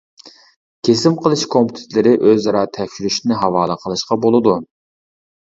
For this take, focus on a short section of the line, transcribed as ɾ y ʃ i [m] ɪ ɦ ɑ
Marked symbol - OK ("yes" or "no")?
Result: no